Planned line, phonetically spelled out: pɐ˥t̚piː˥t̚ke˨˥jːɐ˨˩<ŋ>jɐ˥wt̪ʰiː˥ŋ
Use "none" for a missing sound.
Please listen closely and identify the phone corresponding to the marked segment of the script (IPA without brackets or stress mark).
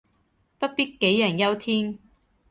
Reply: n